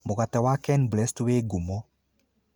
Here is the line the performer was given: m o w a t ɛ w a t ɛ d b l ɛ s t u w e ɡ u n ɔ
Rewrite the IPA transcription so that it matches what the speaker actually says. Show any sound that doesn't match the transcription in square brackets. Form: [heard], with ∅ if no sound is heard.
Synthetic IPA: m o [ɣ] a t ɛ w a [k] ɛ [n] b l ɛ s t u w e ɡ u [m] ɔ